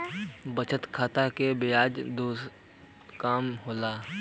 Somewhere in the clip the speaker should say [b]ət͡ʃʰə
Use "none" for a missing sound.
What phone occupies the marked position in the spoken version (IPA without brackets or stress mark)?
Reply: b